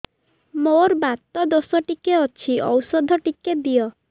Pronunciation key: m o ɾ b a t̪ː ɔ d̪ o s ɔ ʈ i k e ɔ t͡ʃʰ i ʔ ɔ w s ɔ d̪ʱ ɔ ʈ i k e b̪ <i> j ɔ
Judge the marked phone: correct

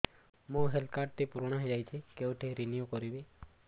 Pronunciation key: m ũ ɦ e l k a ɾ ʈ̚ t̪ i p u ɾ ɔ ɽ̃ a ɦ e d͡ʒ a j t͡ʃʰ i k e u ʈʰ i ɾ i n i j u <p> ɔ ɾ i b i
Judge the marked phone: incorrect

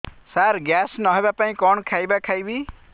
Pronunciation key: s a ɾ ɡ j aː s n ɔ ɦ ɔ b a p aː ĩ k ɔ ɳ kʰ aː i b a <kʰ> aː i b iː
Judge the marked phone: correct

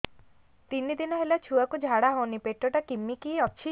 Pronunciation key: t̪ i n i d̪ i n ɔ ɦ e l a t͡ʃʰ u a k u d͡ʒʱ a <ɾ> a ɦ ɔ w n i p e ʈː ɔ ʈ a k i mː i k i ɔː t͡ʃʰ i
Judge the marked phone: incorrect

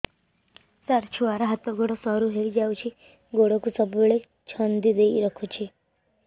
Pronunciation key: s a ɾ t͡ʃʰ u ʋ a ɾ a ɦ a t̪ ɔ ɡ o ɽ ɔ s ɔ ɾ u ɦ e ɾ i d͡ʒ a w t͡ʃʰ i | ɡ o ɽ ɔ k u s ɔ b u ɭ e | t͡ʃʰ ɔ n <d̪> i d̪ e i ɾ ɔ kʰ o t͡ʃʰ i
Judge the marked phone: correct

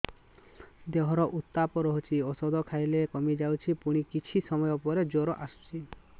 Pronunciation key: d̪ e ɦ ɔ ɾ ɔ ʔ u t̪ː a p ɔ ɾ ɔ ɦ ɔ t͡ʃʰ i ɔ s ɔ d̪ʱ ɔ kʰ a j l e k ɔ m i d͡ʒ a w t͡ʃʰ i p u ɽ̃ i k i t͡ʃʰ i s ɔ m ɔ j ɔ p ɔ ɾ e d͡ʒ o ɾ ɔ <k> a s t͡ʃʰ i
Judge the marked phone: incorrect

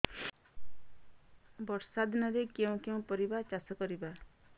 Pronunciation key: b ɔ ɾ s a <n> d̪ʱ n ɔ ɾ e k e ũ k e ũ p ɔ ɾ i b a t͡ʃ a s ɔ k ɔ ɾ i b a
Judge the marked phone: incorrect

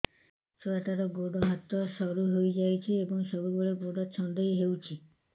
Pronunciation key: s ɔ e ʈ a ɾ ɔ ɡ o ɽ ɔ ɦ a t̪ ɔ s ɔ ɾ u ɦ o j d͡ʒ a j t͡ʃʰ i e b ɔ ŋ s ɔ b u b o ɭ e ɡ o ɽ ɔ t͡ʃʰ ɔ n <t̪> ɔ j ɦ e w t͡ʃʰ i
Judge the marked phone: incorrect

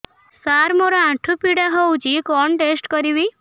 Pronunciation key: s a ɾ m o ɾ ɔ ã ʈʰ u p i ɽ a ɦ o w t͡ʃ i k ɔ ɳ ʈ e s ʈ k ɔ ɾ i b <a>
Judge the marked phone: incorrect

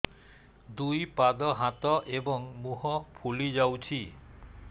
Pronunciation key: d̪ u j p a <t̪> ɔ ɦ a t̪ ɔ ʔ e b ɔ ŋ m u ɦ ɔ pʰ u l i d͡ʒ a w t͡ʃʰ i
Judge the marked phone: incorrect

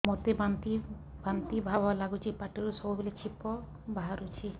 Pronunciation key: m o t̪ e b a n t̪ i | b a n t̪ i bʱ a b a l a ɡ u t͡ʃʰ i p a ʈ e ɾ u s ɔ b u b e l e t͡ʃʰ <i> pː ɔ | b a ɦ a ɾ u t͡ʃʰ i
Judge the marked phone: correct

